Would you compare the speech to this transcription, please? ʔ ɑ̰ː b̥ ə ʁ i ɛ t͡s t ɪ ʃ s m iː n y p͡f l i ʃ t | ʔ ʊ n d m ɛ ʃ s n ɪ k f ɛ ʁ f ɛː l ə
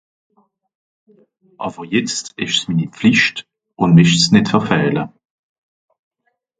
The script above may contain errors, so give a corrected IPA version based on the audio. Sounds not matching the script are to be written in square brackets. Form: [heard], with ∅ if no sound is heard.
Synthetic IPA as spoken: ʔ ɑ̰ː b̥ ə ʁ [j] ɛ t͡s t ɪ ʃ s m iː n [i] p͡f l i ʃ t | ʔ ʊ n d m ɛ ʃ s n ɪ [t] f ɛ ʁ f ɛː l ə